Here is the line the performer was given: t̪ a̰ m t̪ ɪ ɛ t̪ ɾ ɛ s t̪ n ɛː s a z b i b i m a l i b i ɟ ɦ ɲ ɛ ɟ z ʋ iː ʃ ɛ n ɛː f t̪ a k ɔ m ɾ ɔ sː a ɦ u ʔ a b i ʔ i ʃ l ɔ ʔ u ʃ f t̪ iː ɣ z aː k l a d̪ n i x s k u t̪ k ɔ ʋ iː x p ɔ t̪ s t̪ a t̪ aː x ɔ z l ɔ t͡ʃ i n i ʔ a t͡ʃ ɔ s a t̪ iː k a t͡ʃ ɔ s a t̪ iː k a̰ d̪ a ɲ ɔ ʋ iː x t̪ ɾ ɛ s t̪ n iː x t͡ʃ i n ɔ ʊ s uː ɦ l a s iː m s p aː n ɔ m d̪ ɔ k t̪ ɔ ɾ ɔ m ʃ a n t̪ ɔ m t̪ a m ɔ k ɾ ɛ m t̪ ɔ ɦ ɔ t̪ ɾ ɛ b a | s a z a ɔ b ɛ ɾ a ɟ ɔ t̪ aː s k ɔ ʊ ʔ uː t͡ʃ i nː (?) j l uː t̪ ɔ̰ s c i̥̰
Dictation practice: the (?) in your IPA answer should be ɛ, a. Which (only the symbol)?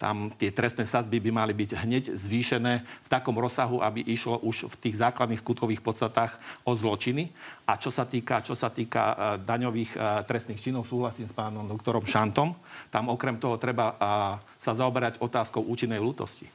ɛ